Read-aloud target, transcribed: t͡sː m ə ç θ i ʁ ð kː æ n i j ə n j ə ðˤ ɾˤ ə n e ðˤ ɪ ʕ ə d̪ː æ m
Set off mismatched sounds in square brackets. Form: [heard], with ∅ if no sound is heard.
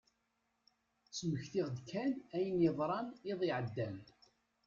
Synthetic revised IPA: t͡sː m ə ç θ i ʁ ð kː æ n [æ] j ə n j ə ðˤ ɾˤ [ɑ] n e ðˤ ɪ ʕ ə d̪ː æ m